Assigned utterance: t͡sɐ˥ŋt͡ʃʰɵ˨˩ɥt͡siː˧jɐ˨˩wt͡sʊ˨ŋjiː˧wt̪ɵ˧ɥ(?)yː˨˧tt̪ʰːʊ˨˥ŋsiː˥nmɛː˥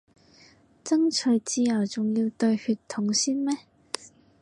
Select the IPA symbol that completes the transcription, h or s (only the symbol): h